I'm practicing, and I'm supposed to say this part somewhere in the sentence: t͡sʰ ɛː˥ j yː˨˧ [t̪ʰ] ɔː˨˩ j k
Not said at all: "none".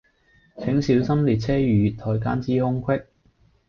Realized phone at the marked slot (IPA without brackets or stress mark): t̪ʰ